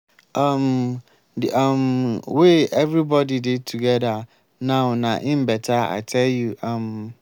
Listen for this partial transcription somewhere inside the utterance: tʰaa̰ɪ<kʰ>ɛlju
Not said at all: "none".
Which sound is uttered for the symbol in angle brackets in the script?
tʰ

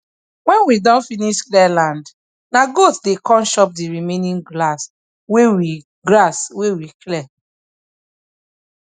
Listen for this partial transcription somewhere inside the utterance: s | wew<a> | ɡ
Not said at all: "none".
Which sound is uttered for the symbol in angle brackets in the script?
i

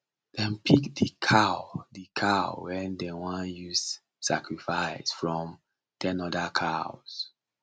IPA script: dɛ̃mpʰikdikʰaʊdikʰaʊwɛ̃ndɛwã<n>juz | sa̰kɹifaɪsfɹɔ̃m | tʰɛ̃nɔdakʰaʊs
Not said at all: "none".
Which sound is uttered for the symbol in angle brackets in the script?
n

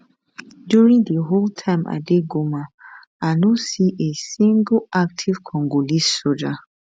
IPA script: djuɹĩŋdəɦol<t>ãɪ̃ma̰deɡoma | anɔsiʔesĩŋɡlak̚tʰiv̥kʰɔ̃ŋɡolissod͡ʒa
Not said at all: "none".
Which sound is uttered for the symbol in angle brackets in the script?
tʰ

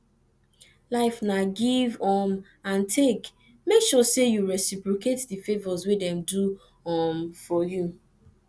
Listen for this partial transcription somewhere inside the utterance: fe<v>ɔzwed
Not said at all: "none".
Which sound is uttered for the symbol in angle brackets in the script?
v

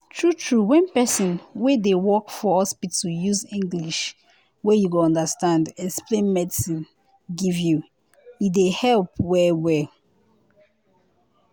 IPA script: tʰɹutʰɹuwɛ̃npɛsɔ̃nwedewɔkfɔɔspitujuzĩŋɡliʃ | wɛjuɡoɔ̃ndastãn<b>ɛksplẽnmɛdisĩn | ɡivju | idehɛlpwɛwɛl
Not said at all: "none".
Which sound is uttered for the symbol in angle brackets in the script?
d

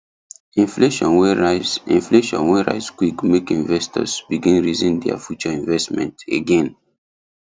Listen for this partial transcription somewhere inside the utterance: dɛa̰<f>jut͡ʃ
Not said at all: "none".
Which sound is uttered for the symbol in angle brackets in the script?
f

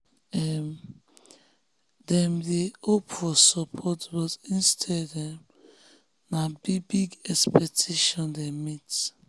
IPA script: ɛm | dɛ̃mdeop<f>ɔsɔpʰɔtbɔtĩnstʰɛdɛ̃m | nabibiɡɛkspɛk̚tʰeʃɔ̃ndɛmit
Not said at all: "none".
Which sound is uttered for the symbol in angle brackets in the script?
f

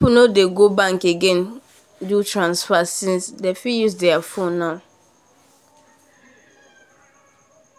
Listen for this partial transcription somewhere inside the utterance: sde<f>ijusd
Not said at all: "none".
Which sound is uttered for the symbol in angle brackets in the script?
f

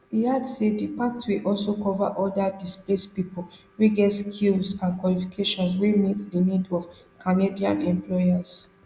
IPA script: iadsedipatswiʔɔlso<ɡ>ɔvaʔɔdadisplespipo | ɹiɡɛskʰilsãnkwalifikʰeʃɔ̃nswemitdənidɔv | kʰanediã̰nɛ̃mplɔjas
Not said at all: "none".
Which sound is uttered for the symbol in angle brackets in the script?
k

